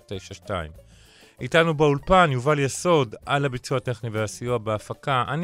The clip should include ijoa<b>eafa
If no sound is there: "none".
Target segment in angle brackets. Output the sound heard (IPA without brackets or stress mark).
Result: b